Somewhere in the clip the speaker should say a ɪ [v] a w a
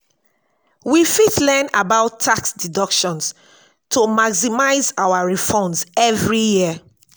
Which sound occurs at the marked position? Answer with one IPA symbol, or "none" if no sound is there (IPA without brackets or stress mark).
z